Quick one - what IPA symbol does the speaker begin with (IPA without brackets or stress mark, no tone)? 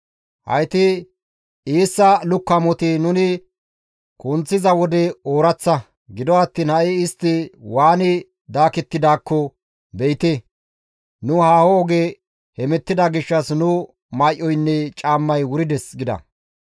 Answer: h